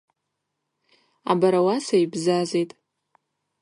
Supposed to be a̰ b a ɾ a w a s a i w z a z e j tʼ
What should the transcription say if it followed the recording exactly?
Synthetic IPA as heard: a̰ b a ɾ a w a s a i b z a z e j tʼ